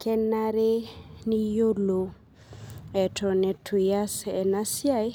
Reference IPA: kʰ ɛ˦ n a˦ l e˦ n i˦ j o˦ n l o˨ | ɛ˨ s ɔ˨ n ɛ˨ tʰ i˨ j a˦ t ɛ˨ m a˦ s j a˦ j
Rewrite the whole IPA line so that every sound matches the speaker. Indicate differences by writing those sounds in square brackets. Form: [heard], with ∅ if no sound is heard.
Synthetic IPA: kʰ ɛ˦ n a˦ [ɾ] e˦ n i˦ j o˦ [∅] l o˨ | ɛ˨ [t] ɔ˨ n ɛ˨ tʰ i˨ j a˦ [s] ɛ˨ [n] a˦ s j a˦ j